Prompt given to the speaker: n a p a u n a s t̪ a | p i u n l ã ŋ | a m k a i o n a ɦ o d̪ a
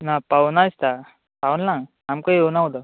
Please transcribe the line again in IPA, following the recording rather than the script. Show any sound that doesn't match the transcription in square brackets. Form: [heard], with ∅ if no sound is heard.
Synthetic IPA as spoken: n a p a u n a s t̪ a | p [a] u n l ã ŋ | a m k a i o n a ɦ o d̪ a